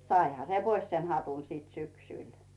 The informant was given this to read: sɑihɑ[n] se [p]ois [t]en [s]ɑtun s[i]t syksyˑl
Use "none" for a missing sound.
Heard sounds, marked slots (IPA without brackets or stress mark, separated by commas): none, p, s, h, iː